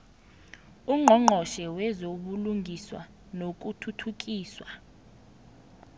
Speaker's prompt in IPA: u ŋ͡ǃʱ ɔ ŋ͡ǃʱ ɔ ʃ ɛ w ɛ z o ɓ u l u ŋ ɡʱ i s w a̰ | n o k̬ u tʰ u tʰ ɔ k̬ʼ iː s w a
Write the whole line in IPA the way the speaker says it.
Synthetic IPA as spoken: u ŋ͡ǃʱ ɔ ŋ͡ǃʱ ɔ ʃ ɛ w ɛ z o ɓ u l u ŋ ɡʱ i s w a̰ | n o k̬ u tʰ u tʰ u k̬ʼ iː s w a